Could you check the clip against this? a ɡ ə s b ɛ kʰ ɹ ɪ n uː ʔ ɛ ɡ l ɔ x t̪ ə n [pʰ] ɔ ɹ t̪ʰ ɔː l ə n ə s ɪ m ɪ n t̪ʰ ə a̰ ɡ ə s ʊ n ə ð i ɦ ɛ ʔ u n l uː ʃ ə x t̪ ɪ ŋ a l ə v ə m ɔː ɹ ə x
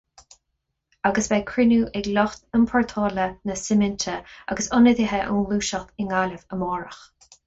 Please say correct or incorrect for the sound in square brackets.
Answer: correct